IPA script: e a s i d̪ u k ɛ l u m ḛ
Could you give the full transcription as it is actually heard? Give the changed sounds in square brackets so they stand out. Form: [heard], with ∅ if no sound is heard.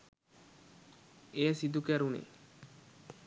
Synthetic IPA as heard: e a s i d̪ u k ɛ [ɾ] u [n] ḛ